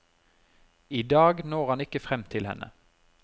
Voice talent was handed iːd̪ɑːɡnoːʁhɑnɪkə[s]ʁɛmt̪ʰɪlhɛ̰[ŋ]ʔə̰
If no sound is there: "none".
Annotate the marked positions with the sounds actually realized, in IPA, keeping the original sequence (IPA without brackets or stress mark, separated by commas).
f, n